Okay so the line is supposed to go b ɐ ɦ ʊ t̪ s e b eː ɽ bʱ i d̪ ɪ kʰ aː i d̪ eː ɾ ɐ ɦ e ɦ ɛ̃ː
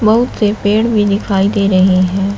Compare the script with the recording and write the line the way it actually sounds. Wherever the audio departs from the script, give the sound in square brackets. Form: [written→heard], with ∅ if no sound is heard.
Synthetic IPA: b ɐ ɦ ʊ t̪ s e [b→p] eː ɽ bʱ i d̪ ɪ kʰ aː i d̪ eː ɾ ɐ ɦ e ɦ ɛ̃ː